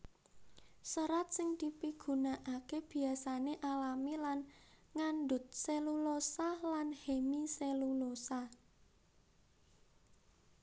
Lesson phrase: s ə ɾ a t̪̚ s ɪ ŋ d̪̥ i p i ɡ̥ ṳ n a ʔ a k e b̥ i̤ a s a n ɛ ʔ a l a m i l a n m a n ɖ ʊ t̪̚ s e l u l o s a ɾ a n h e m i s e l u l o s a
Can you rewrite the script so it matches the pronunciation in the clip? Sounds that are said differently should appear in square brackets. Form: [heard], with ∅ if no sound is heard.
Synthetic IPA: s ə ɾ a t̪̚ s ɪ ŋ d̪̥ i p i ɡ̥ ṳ n a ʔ a k e b̥ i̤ a s a n [e] ʔ a l a m i l a n [ŋ] a n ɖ ʊ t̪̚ s e l u l o s a [l] a n h e m i s e l u l o s a